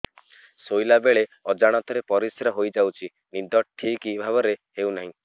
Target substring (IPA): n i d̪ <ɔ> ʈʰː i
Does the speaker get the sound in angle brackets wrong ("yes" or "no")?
no